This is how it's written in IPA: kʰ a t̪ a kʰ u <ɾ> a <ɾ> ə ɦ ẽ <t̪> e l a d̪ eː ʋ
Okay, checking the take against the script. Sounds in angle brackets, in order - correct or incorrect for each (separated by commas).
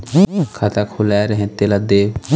incorrect, correct, correct